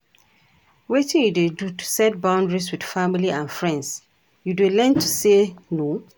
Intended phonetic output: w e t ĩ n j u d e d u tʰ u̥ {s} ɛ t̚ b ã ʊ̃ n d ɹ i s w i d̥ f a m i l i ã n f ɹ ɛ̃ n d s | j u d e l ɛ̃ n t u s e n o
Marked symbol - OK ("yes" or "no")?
yes